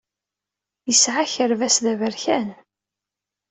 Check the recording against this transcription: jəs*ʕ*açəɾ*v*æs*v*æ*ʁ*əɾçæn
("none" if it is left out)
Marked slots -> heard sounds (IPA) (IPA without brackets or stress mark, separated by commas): ʕ, v, ð, v